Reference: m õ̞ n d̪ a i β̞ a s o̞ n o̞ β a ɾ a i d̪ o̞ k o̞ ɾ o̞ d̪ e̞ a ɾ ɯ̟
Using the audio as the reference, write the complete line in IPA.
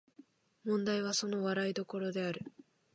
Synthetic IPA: m õ̞ n d̪ a i β̞ a s o̞ n o̞ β a ɾ a i d̪ o̞ k o̞ ɾ o̞ d̪ e̞ a ɾ ɯ̟